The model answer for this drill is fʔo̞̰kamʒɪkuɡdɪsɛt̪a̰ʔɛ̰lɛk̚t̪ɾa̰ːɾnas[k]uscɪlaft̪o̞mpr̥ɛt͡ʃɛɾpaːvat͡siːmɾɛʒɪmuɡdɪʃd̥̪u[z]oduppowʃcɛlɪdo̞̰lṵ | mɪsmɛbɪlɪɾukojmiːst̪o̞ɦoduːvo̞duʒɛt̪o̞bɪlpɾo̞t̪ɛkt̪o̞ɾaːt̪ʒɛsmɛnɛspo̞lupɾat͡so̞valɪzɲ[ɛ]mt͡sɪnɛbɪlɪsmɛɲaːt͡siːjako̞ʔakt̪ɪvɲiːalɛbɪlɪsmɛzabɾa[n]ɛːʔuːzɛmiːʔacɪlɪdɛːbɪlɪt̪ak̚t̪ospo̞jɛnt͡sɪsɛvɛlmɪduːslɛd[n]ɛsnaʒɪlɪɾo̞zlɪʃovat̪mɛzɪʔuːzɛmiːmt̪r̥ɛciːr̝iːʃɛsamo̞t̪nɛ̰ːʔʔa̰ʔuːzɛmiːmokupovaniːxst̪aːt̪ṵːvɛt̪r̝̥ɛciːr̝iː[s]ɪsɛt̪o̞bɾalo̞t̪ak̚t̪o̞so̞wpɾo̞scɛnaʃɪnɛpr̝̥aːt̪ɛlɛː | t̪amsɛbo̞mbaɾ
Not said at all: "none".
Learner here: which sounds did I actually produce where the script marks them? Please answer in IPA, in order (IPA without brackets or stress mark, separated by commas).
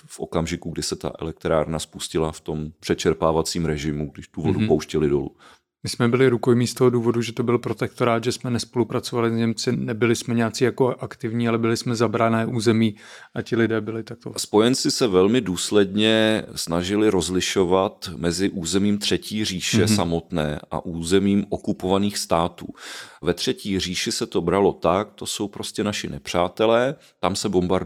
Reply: p, v, ɛ, n, ɲ, ʃ